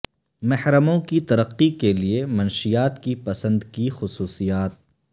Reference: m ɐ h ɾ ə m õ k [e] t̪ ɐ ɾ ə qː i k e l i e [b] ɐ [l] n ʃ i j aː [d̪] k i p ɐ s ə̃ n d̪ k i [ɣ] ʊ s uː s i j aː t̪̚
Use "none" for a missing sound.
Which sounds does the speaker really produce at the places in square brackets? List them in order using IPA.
i, m, none, t̪, x

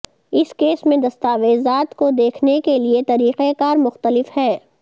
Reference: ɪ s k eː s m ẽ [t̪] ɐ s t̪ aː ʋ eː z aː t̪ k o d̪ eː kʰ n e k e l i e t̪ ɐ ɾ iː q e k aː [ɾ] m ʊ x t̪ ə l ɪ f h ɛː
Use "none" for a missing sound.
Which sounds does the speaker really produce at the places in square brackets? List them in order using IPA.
d̪, ɾ

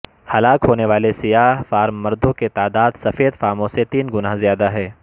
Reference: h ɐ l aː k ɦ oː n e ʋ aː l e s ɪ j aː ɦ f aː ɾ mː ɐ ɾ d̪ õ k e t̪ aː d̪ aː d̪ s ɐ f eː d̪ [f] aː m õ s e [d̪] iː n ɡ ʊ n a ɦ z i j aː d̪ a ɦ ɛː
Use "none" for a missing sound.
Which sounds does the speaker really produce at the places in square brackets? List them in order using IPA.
f, t̪

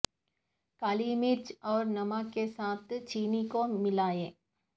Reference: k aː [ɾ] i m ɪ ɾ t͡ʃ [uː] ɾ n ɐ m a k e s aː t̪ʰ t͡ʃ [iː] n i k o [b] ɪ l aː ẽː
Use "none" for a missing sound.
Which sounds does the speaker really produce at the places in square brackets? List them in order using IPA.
l, ɔː, iː, m

